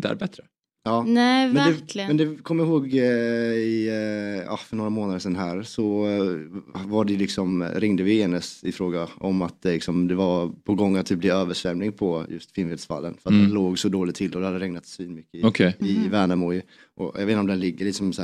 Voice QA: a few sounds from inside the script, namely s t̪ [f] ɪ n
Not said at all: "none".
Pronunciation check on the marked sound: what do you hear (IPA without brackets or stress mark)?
f